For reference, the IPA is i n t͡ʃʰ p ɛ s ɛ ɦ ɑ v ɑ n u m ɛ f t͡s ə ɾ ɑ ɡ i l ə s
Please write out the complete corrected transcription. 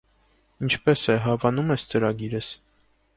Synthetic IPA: i n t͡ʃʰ p ɛ s ɛ ɦ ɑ v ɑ n u m ɛ s t͡s ə ɾ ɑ ɡ i ɾ ə s